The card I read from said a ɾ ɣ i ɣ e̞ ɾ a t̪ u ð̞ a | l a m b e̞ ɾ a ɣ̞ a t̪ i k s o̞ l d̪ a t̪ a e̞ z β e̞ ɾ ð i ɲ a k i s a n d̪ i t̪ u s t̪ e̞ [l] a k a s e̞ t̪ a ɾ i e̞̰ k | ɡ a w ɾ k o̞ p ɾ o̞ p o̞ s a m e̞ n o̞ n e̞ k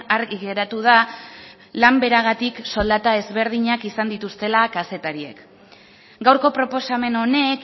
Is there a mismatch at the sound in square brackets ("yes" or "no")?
no